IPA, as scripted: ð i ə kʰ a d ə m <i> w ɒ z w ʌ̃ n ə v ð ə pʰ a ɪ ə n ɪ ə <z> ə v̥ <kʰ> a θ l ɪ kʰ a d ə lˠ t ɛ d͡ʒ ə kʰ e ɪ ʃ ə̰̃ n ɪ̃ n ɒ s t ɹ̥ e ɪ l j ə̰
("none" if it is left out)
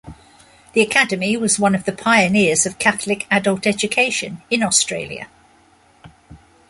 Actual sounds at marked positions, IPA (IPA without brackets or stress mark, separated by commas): i, z, kʰ